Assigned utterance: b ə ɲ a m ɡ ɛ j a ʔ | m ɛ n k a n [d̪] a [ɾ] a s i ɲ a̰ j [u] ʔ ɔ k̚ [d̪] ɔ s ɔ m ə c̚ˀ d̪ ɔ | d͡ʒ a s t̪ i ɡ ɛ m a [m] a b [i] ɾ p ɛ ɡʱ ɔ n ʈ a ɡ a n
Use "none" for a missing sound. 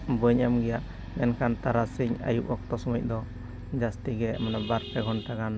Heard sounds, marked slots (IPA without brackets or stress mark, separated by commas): t̪, ɾ, u, t̪, n, a